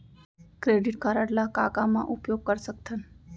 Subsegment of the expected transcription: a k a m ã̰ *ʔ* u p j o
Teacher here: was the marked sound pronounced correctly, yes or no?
yes